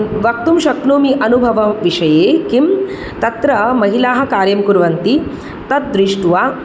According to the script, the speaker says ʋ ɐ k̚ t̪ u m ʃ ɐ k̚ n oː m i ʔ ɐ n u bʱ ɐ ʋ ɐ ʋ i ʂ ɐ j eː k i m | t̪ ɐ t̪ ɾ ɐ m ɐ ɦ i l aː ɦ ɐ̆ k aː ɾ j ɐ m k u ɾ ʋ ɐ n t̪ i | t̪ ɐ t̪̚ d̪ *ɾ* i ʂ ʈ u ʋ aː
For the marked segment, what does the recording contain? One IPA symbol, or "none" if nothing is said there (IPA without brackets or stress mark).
ɾ